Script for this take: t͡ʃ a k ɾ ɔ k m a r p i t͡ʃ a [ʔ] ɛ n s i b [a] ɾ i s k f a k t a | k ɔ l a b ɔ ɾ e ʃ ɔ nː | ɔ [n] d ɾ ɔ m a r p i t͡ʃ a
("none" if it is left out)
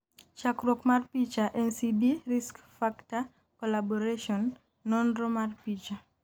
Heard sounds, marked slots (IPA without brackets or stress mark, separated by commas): ʔ, i, n